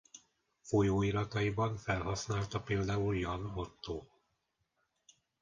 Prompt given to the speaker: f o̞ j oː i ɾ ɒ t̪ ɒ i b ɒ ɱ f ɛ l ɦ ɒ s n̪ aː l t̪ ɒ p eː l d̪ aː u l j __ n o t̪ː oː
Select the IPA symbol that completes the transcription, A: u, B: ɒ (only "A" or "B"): B